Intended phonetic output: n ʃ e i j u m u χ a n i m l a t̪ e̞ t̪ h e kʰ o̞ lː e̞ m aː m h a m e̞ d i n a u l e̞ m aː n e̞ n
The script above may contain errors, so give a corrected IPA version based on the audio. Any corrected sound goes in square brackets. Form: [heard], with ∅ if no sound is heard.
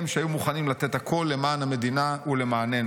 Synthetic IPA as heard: [m] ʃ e [a] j u m u χ a n i m l a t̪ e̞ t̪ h [a] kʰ o̞ lː e̞ m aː [n] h a m e̞ d i n a u l e̞ m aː n e̞ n